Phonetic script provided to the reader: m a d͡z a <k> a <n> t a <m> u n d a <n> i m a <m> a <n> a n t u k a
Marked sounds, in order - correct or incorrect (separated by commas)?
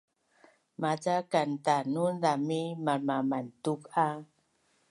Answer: correct, correct, incorrect, incorrect, correct, incorrect